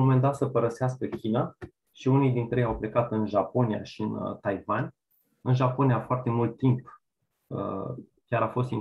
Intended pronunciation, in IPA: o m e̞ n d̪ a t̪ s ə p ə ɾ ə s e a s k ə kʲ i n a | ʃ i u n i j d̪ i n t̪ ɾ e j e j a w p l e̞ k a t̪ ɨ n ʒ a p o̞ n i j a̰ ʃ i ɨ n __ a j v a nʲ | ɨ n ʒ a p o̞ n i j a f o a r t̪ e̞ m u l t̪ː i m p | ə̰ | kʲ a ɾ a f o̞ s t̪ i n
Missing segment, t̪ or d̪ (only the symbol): t̪